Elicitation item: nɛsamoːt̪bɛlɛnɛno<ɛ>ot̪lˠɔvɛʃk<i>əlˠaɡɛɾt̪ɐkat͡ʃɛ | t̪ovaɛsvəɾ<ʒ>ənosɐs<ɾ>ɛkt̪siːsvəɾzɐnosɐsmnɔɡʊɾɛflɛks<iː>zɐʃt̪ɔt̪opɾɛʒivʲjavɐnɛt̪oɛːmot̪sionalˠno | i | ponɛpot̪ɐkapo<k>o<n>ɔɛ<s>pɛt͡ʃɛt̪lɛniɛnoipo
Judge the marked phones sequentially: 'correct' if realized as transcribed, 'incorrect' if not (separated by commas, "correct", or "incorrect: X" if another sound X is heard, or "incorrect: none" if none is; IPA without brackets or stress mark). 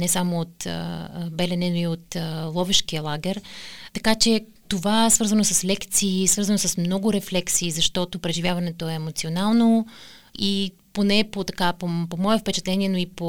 incorrect: i, correct, incorrect: z, incorrect: l, correct, incorrect: p, incorrect: m, incorrect: f